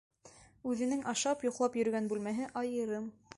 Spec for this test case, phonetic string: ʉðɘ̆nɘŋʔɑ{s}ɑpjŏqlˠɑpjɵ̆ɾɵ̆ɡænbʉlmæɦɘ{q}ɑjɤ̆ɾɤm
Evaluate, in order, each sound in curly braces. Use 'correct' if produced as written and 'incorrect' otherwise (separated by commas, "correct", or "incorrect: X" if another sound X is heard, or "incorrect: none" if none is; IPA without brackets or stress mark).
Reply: incorrect: ʃ, incorrect: ʔ